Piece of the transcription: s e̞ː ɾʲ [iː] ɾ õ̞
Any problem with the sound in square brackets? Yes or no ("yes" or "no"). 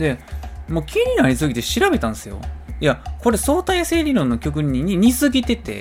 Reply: yes